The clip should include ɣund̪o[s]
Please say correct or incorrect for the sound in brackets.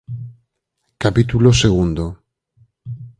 incorrect